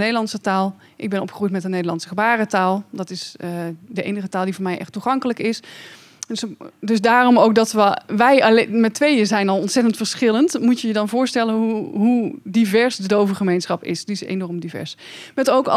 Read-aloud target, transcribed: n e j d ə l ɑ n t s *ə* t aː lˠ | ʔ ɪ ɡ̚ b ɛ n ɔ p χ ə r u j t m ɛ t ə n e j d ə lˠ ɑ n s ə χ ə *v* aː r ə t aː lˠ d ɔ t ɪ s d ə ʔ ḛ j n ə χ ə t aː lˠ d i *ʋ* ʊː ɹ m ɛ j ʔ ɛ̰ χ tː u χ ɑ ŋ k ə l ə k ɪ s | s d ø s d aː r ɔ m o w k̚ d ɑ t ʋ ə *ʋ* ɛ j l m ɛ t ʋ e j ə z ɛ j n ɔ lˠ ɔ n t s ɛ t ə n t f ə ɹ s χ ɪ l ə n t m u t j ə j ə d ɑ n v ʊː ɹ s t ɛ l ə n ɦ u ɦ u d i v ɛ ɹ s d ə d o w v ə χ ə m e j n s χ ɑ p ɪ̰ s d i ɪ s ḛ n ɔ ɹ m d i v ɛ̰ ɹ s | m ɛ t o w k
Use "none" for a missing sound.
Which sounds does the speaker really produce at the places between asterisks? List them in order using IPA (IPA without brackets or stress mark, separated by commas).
ə, b, v, ʋ